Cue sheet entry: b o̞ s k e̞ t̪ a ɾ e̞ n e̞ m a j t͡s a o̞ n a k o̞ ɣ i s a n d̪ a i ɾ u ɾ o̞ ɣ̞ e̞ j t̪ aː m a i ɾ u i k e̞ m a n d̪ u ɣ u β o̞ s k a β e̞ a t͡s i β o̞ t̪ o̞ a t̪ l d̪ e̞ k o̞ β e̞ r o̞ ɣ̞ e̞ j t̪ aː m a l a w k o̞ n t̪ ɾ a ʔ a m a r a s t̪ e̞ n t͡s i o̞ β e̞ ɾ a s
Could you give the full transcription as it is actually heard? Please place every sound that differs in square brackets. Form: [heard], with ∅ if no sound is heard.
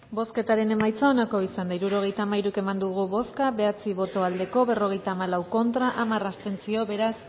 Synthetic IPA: b o̞ s k e̞ t̪ a ɾ e̞ n e̞ m a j t͡s a o̞ n a k o̞ [∅] i s a n d̪ a i ɾ u ɾ o̞ ɣ̞ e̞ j t̪ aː m a i ɾ u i k e̞ m a n d̪ u ɣ u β o̞ s k a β e̞ a t͡s i β o̞ t̪ o̞ a [∅] l d̪ e̞ k o̞ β e̞ r o̞ ɣ̞ e̞ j t̪ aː m a l a w k o̞ n t̪ ɾ a ʔ a m a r a s t̪ e̞ n t͡s i o̞ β e̞ ɾ a s